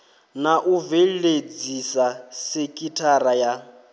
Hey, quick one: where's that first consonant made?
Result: tongue tip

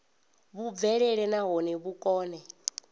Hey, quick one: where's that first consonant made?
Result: lips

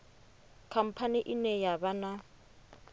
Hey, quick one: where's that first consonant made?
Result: velum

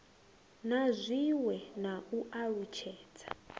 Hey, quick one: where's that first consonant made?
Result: tongue tip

